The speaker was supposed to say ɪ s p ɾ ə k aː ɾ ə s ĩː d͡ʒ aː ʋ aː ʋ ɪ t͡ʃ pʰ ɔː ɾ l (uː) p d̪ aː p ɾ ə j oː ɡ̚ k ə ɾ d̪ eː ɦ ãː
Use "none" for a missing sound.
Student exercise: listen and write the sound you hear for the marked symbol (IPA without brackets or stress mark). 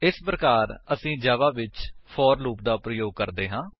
uː